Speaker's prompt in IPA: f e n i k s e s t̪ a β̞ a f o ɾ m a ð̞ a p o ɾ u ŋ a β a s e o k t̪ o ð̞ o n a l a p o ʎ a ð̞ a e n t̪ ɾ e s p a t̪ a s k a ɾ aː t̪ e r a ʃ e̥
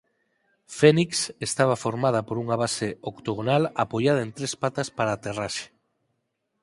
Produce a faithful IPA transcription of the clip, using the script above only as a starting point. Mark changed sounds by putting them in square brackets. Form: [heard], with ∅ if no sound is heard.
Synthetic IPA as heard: f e n i k s e s t̪ a β̞ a f o ɾ m a ð̞ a p o ɾ u ŋ a β a s e o k t̪ o [ɣ̞] o n a l a p o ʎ a ð̞ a e n t̪ ɾ e s p a t̪ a s [p] a ɾ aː t̪ e r a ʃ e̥